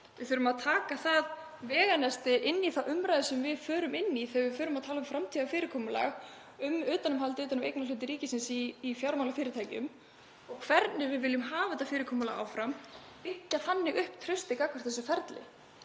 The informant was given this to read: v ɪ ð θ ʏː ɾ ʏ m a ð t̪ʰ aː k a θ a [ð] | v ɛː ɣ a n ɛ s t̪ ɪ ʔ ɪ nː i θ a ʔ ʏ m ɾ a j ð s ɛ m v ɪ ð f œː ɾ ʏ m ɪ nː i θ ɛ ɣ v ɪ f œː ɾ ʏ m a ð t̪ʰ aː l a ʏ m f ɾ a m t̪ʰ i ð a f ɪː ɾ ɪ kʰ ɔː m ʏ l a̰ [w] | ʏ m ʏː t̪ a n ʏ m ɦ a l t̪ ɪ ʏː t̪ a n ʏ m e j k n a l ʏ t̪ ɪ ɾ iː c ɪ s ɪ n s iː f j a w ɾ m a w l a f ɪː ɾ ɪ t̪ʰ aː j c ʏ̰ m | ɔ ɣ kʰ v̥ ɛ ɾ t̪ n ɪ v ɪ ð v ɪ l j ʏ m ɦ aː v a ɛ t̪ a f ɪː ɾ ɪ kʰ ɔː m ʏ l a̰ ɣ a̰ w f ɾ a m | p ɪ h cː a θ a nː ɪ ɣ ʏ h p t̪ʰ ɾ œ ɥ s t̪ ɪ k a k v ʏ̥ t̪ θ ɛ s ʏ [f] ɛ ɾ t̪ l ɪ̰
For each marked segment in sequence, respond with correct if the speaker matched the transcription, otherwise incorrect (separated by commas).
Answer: correct, incorrect, correct